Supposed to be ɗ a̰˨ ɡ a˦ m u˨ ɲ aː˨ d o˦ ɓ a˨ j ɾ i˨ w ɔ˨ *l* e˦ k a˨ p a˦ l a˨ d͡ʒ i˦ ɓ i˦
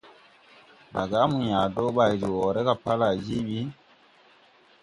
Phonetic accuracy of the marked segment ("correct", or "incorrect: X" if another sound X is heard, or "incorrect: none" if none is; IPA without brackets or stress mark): incorrect: ɾ